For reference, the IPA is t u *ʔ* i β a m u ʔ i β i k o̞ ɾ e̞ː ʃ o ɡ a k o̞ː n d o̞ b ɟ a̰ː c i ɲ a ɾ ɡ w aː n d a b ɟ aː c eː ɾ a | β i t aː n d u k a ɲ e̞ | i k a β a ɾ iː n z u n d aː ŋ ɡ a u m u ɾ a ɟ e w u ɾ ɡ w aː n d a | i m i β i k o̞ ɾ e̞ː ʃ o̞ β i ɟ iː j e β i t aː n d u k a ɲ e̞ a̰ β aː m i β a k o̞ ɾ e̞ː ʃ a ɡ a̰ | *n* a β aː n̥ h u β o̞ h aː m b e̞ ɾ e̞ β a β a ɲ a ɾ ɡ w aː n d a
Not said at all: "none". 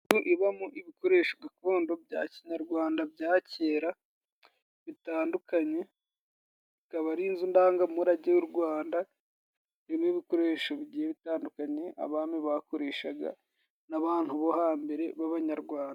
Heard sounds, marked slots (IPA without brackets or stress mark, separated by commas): ʔ, n